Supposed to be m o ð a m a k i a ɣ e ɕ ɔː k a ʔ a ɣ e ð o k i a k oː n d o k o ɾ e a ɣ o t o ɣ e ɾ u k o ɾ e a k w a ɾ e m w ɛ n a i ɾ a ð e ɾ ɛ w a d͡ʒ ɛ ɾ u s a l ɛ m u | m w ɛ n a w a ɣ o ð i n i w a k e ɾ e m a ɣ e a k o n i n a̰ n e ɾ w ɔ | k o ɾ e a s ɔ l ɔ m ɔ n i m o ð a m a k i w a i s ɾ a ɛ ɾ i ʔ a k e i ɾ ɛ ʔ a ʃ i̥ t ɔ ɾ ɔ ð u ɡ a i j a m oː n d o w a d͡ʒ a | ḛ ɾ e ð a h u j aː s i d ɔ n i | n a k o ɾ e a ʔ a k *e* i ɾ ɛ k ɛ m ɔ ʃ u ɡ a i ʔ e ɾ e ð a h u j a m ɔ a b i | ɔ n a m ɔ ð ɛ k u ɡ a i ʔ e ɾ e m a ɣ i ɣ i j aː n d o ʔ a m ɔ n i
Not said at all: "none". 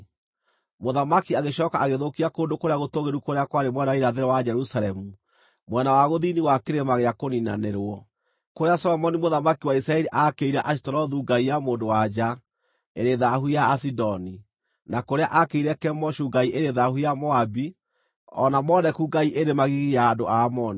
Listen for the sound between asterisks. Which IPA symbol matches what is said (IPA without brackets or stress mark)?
e